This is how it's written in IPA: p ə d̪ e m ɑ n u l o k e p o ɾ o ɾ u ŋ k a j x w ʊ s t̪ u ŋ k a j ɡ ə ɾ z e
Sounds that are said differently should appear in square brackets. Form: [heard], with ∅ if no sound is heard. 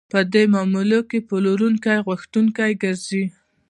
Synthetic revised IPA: p ə d̪ e m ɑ [m] u l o k e p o [l] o ɾ u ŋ k a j [ɣ] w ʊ [x] t̪ u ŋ k a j ɡ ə ɾ z [i]